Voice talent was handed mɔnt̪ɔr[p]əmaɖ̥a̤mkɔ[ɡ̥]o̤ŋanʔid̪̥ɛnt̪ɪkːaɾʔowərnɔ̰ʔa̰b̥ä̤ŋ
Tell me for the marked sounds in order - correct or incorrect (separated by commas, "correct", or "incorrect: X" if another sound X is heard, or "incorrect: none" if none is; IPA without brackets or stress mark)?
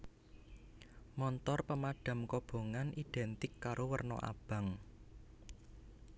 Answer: correct, incorrect: b̥